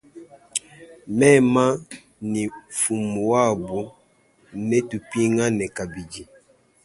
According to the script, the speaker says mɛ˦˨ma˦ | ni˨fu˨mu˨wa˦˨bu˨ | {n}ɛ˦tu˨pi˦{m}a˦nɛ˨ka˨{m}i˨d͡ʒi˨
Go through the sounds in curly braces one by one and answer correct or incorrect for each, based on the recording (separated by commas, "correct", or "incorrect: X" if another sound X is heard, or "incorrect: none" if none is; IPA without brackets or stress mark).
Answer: correct, incorrect: ŋ, incorrect: b